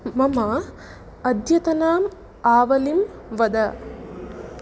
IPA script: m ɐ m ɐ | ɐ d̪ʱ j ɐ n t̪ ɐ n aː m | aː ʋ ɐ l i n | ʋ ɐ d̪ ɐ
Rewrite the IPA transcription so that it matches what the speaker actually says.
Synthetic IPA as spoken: m ɐ m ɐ | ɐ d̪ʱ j ɐ t̪ ɐ n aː m | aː ʋ ɐ l i m | ʋ ɐ d̪ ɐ